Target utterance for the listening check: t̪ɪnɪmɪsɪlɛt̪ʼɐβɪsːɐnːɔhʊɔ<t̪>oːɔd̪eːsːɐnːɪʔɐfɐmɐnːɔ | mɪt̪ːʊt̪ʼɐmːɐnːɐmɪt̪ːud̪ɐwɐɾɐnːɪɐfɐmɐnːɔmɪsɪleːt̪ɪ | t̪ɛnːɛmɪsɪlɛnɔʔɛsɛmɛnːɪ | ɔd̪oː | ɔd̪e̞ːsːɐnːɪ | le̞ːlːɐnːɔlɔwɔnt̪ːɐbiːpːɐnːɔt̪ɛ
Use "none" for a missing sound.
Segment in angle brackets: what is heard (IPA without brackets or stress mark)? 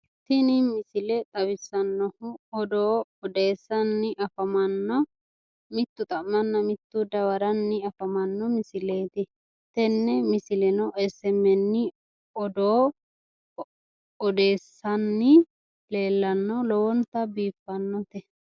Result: d̪